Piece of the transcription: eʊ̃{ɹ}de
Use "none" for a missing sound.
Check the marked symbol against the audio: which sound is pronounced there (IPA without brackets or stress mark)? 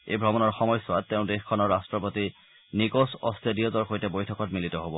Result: none